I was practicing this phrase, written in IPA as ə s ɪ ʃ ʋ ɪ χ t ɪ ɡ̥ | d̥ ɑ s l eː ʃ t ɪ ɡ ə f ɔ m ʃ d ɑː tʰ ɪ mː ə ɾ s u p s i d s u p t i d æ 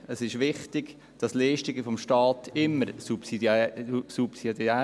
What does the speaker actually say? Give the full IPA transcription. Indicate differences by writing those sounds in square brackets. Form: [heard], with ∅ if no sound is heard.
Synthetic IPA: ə s ɪ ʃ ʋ ɪ χ t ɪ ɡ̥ | d̥ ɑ s l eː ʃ t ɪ ɡ ə f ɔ m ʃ [t] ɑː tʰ ɪ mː ə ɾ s u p s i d s u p [s] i d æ